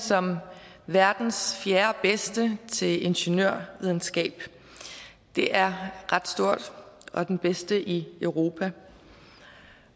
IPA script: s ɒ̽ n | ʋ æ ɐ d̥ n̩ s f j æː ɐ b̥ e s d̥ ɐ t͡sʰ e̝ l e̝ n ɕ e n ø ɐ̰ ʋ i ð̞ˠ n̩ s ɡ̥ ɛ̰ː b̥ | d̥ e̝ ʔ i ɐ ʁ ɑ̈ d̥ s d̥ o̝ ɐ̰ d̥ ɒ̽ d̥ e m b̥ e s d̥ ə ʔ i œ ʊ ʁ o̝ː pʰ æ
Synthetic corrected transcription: s ɒ̽ m | ʋ æ ɐ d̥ n̩ s f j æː ɐ b̥ e s d̥ ə t͡sʰ e̝ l e̝ n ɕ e n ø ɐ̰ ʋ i ð̞ˠ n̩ s ɡ̥ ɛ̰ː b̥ | d̥ e̝ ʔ æ ɐ ʁ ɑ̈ d̥ s d̥ o̝ ɐ̰ d̥ ɒ̽ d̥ e n b̥ e s d̥ ə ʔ i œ ʊ ʁ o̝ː pʰ æ